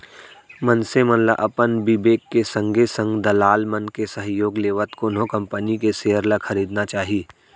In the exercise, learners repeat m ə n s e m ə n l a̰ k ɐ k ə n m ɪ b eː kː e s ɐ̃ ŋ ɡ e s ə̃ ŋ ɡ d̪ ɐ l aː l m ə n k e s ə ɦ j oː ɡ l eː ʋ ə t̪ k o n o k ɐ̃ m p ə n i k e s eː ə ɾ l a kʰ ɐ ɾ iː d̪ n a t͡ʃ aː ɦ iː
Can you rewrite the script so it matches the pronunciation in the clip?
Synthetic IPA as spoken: m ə n s e m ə n l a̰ ʔ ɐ p ə n b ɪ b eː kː e s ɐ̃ ŋ ɡ e s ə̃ ŋ ɡ d̪ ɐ l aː l m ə n k e s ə ɦ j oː ɡ l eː ʋ ə t̪ k o n o k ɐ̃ m p ə n i k e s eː ə ɾ l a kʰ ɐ ɾ iː d̪ n a t͡ʃ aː ɦ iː